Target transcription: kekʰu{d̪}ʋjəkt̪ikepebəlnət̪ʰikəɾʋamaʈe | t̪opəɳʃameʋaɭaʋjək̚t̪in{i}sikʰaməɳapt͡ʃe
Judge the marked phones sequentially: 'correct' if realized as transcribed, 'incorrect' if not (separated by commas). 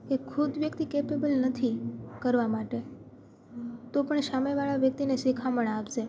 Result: correct, incorrect